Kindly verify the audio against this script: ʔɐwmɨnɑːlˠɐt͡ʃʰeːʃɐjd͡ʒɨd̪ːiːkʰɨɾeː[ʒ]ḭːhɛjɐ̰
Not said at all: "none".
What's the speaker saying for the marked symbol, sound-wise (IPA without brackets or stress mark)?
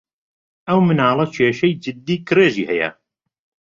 ʒ